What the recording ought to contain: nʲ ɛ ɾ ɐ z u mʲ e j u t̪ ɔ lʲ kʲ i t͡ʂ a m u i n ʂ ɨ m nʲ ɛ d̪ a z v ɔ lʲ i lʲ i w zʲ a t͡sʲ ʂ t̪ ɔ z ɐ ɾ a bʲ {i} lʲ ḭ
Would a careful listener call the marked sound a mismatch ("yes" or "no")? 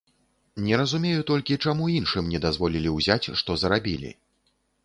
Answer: no